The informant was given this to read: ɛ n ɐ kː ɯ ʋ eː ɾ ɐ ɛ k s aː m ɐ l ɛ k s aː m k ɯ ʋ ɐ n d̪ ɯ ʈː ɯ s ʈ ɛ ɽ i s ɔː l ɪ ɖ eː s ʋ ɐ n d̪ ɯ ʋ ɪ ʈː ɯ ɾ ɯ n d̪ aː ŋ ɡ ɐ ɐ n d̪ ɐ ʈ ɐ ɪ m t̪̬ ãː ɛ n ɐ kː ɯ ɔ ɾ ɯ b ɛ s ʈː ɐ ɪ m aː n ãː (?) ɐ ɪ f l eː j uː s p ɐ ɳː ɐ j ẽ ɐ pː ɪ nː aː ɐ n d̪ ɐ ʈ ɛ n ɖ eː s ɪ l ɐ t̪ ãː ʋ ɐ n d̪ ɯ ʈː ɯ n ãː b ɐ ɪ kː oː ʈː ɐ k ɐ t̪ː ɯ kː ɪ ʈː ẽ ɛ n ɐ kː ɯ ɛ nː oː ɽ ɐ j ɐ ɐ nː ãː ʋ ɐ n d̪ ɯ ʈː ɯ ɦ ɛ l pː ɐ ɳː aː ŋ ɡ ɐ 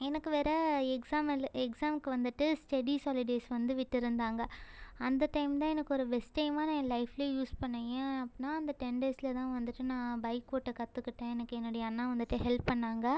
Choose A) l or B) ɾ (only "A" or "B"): A